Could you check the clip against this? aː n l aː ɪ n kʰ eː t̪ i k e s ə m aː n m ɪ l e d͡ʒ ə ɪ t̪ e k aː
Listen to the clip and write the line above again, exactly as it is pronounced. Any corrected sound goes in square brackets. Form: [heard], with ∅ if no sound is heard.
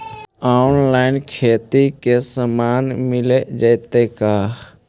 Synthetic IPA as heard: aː n l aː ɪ n kʰ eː t̪ i k e s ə m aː n m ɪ l e d͡ʒ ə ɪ t̪ e k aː